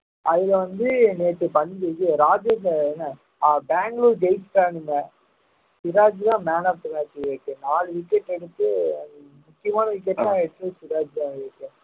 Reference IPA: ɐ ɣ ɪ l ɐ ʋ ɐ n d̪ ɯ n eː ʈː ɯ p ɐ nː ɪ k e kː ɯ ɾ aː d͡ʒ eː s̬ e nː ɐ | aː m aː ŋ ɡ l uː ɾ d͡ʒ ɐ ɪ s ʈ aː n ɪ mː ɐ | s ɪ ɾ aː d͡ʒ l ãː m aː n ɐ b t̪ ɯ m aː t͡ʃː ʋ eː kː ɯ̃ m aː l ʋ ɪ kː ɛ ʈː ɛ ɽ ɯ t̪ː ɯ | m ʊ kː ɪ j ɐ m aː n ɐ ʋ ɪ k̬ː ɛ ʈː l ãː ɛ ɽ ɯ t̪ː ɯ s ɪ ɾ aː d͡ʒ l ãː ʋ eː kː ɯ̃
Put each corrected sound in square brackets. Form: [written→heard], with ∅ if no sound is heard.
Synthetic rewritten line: ɐ [ɣ→ð] ɪ l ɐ ʋ ɐ n d̪ ɯ n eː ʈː ɯ p ɐ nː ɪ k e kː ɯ ɾ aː d͡ʒ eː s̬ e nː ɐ | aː [m→b] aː ŋ ɡ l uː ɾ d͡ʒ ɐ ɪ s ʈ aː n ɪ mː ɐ | s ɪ ɾ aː d͡ʒ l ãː m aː n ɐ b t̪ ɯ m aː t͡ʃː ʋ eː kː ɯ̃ [m→n] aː l ʋ ɪ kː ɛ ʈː ɛ ɽ ɯ t̪ː ɯ | m ʊ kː ɪ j ɐ m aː n ɐ ʋ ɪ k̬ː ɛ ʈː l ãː ɛ ɽ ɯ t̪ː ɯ s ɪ ɾ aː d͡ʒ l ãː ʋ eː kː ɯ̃